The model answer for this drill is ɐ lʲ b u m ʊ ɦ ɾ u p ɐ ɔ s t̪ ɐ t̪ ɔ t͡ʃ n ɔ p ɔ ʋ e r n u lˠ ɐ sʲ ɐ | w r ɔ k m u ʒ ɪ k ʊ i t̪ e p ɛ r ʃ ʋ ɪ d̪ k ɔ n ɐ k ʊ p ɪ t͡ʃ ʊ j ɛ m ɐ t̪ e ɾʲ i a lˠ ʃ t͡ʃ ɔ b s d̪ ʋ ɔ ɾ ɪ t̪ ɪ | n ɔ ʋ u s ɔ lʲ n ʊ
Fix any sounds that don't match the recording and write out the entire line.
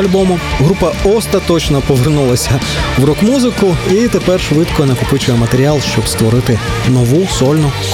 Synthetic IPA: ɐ lʲ b ɔ m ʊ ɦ ɾ u p ɐ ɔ s t̪ ɐ t̪ ɔ t͡ʃ n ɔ p ɔ ʋ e r n u lˠ ɐ sʲ ɐ | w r ɔ k m u z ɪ k ʊ i t̪ e p ɛ r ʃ ʋ ɪ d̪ k ɔ n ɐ k ʊ p ɪ t͡ʃ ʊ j ɛ m ɐ t̪ e ɾʲ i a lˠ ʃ t͡ʃ ɔ b s t̪ ʋ ɔ ɾ ɪ t̪ ɪ | n ɔ ʋ u s ɔ lʲ n ʊ